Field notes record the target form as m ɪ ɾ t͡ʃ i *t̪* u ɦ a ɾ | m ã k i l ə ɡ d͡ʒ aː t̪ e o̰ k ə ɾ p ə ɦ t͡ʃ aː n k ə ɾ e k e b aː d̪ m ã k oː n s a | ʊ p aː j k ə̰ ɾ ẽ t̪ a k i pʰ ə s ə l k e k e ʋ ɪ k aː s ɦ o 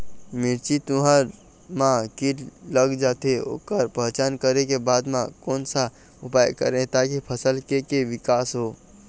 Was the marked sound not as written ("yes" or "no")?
no